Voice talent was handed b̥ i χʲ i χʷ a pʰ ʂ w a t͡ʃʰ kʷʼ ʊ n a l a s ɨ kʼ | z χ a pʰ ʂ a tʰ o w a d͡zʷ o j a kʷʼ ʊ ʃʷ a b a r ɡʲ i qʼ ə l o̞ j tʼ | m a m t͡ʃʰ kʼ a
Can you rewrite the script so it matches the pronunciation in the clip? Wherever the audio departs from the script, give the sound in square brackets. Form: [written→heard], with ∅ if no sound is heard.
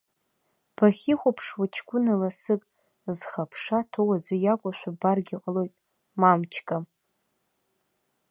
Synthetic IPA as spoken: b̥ [i→a] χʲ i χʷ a pʰ ʂ w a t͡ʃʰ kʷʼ ʊ n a l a s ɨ kʼ | z χ a pʰ ʂ a tʰ o w a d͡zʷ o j a kʷʼ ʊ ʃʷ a b a r ɡʲ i qʼ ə l o̞ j tʼ | m a m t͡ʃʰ kʼ a

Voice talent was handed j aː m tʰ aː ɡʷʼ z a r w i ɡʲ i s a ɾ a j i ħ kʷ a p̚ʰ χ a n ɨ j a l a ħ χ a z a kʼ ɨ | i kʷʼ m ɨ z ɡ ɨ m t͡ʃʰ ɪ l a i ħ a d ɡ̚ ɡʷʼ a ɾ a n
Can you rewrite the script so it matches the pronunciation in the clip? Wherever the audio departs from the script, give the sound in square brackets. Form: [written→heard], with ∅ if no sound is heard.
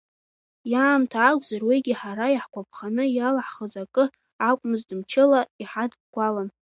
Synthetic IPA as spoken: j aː m tʰ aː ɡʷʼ z a r w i ɡʲ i [s→ħ] a ɾ a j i ħ kʷ a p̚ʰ χ a n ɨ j a l a ħ χ [a→ə] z a kʼ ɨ | [i→a] kʷʼ m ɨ z [ɡ→d] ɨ m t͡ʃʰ ɪ l a i ħ a d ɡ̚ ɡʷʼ a [ɾ→l] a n

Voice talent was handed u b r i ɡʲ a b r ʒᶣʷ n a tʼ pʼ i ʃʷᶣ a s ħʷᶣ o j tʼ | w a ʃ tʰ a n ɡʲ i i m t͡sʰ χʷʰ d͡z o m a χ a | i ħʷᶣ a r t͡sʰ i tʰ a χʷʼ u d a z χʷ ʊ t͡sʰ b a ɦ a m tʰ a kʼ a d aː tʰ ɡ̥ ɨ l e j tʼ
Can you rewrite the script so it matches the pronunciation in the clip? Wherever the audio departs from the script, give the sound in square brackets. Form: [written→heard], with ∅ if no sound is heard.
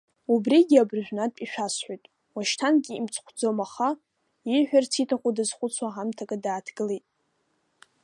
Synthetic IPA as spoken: u b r i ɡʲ a b r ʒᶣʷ n a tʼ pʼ i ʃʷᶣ a s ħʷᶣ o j tʼ | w a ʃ tʰ a n ɡʲ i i m t͡sʰ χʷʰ d͡z o m a χ a | i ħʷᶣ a r t͡sʰ i tʰ a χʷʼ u d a z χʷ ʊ t͡sʰ [b→w] a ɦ a m tʰ a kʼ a d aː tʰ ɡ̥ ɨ l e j tʼ

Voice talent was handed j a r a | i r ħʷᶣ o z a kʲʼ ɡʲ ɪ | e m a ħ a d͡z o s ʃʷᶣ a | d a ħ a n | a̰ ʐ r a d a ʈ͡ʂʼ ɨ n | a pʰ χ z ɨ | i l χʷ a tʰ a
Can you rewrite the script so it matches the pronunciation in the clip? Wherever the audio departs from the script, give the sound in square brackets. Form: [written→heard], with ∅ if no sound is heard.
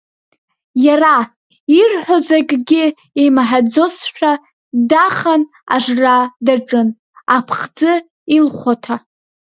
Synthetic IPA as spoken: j a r a | i r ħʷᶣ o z a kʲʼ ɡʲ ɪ | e m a ħ a d͡z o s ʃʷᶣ a | d a [ħ→χ] a n | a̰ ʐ r a d a ʈ͡ʂʼ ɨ n | a pʰ χ [z→d͡z] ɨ | i l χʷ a tʰ a

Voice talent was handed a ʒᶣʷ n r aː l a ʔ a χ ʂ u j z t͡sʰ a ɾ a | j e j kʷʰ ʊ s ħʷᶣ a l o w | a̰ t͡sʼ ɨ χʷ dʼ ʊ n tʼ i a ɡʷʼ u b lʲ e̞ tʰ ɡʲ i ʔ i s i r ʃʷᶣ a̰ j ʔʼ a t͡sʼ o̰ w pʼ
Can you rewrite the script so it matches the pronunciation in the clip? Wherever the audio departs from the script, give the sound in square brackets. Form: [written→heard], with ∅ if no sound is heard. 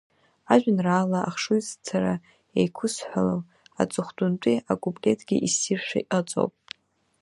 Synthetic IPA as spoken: a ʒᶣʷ n r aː l a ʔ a χ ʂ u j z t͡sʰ a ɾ a | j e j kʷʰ ʊ s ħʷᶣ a l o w | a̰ t͡sʼ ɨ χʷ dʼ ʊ n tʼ i a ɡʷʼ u b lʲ e̞ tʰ ɡʲ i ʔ i s i r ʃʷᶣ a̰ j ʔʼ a t͡sʼ o̰ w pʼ

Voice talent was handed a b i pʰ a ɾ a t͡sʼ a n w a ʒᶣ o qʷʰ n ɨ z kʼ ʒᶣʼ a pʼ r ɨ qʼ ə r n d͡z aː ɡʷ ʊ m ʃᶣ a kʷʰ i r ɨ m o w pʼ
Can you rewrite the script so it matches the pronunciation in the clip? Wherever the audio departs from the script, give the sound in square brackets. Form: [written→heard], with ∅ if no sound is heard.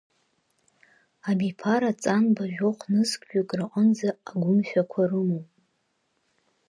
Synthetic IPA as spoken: a b i pʰ a ɾ a t͡sʼ a n [w→b] a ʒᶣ o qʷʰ n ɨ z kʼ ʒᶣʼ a [pʼ→kʼ] r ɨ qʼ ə [r→∅] n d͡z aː ɡʷ ʊ m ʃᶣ a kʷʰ [i→a] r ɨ m o w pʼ

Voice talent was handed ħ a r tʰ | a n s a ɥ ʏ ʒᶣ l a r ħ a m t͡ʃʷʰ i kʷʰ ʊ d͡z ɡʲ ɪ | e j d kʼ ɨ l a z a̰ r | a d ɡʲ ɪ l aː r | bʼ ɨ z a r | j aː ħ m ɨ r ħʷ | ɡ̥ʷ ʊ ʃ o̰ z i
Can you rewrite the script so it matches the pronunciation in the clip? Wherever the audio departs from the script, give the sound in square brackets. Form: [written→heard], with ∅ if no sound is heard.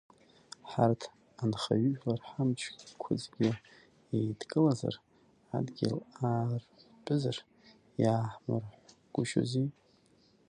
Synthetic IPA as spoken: ħ a r tʰ | a n [s→χ] a ɥ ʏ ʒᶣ l a r ħ a m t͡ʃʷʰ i kʷʰ ʊ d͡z ɡʲ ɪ | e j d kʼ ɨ l a z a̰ r | a d ɡʲ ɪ l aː r | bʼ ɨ z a r | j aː ħ m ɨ r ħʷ | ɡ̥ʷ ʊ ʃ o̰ z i

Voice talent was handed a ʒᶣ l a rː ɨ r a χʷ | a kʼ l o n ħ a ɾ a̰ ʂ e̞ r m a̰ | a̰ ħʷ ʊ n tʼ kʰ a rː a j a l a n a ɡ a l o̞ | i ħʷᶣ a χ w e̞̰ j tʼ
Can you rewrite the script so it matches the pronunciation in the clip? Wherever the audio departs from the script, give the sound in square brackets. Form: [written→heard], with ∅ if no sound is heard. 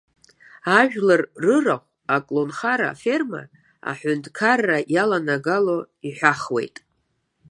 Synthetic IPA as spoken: a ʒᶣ l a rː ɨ r a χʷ | a kʼ l o n [ħ→χ] a ɾ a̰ [ʂ→f] e̞ r m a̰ | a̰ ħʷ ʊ n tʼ kʰ a rː a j a l a n a ɡ a l o̞ | i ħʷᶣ a χ w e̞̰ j tʼ

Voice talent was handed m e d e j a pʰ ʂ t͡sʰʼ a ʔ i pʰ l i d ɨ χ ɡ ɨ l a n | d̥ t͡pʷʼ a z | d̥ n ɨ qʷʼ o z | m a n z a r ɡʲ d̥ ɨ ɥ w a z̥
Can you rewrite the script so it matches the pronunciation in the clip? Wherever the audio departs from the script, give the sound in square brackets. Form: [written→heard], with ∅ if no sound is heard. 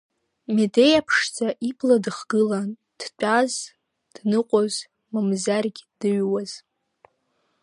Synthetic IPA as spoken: m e d e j a pʰ ʂ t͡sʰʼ a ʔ i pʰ l [i→a] d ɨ χ ɡ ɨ l a n | d̥ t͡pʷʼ a z | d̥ n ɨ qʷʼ o z | m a [n→m] z a r ɡʲ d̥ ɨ ɥ w a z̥

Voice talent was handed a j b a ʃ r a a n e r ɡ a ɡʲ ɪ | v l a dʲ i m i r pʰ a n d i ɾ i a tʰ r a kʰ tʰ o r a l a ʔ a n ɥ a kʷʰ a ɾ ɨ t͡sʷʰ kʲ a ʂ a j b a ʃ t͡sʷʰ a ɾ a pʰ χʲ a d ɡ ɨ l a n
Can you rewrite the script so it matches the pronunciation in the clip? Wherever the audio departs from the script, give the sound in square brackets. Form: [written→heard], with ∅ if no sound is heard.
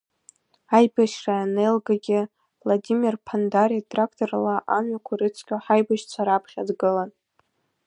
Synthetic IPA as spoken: a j b a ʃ r a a n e [r→l] ɡ a ɡʲ ɪ | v l a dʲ i m i r pʰ a n d [i→a] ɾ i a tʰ r a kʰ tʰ o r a l a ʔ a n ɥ a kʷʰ a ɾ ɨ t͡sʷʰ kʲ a [ʂ→ħ] a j b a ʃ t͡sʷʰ a ɾ a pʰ χʲ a d ɡ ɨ l a n

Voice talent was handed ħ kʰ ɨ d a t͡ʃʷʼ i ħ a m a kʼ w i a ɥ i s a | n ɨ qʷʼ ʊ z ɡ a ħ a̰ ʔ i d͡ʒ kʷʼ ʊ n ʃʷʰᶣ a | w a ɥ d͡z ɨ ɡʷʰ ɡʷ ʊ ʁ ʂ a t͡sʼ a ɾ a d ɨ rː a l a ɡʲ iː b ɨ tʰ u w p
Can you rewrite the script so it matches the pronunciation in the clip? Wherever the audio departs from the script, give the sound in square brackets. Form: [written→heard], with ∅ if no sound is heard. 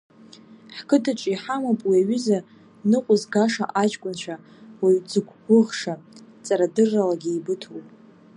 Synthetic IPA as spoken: ħ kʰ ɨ d a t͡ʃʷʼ i ħ a m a [kʼ→pʼ] w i a ɥ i [s→z] a | n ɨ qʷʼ ʊ z ɡ a [ħ→ʂ] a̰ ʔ [i→a] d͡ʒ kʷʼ ʊ n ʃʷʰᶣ a | w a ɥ d͡z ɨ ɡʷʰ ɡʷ ʊ ʁ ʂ a t͡sʼ a ɾ a d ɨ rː a l a ɡʲ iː b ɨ tʰ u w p

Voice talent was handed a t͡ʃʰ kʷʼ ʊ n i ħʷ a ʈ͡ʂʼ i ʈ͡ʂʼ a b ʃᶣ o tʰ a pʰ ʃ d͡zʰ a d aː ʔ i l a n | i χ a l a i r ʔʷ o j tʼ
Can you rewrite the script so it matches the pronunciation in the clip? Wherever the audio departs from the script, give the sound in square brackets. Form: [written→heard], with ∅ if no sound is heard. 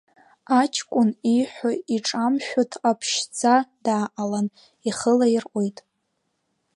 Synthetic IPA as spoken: a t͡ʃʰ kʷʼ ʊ n i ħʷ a [ʈ͡ʂʼ→∅] i ʈ͡ʂʼ a [b→m] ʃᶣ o tʰ a pʰ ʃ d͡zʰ a d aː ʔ [i→a] l a n | i χ [a→ə] l a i r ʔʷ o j tʼ

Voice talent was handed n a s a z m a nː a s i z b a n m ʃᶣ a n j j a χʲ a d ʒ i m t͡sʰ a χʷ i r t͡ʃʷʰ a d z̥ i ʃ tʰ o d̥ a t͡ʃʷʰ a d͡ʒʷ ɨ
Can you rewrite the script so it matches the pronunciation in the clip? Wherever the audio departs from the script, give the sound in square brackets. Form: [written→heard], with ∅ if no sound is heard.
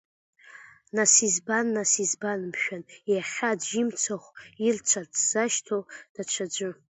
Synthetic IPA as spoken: n a s [a→i] z [m→b] a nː a s i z b a n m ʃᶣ a n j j a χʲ a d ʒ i m t͡sʰ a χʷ i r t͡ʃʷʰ a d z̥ [i→a] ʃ tʰ o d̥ a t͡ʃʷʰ a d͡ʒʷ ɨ

